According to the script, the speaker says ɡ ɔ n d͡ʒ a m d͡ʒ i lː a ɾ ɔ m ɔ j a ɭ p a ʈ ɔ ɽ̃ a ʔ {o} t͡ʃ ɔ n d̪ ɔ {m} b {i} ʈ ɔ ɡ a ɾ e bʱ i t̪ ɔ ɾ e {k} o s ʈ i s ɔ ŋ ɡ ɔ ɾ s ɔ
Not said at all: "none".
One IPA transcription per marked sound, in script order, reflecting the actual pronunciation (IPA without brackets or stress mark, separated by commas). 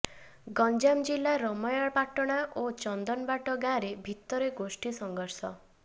o, n, a, ɡ